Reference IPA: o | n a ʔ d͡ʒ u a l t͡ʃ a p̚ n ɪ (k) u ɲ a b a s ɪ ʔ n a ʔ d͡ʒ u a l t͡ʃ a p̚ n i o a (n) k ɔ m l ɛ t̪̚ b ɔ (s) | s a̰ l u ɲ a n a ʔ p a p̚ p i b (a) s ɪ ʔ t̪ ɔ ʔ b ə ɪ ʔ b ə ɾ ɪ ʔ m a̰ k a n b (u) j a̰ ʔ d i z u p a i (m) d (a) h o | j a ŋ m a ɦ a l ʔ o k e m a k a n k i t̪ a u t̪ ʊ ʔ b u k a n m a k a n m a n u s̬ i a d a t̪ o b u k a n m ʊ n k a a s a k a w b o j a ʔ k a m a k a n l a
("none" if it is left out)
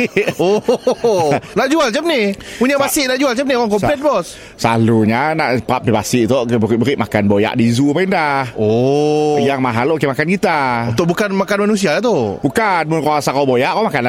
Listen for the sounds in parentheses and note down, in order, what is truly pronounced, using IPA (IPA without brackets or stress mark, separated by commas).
p, ŋ, s, a, o, n, a